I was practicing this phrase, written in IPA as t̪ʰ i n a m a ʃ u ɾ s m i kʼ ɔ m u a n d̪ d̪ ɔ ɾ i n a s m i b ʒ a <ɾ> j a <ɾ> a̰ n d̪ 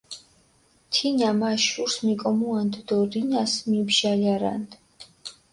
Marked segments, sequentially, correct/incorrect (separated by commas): incorrect, correct